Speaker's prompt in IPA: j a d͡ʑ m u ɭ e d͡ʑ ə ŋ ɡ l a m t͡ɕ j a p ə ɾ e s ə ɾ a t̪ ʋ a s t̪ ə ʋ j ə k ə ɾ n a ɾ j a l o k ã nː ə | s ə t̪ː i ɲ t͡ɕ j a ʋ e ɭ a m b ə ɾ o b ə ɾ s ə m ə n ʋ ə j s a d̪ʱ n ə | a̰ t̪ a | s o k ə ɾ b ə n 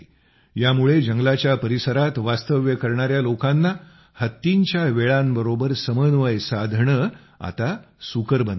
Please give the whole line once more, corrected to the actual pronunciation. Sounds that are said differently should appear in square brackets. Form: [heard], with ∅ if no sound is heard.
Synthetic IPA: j a [∅] m u ɭ e d͡ʑ ə ŋ ɡ l a [∅] t͡ɕ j a p ə ɾ [i] s ə ɾ a t̪ ʋ a s t̪ ə ʋ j ə k ə ɾ [ɳ] a ɾ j a l o k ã nː [a] | [h] ə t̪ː i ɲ t͡ɕ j a ʋ e ɭ a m b ə ɾ o b ə ɾ s ə m ə n ʋ ə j s a d̪ʱ [ɳ] ə | a̰ t̪ a | s [u] k ə ɾ b ə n